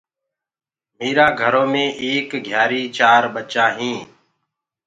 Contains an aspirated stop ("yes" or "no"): no